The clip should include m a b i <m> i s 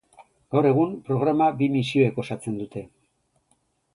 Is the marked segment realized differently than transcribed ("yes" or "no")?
no